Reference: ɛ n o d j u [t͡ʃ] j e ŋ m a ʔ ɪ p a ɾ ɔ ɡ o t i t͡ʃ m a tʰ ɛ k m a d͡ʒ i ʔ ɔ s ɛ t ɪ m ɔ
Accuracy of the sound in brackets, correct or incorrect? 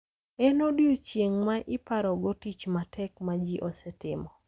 correct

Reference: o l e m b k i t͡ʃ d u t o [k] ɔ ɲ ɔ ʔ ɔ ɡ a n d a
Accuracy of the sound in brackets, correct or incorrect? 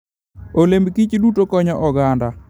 correct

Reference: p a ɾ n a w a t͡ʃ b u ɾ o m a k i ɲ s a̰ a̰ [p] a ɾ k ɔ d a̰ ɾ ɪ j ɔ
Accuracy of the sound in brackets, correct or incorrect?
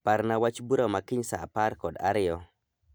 correct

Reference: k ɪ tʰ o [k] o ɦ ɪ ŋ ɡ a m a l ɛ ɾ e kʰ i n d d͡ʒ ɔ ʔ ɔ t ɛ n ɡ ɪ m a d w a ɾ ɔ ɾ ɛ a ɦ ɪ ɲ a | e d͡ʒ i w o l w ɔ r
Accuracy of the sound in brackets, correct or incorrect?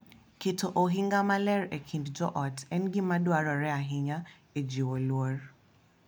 incorrect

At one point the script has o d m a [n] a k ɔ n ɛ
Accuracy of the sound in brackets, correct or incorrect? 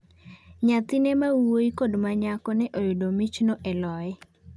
incorrect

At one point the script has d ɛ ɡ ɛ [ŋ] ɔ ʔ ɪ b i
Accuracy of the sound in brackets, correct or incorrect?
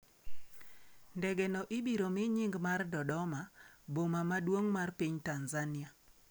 incorrect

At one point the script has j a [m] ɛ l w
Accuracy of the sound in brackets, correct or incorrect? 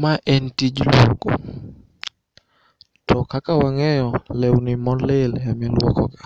correct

